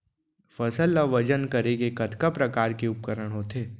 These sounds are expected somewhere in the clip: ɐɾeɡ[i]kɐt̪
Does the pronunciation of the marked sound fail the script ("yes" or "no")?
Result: yes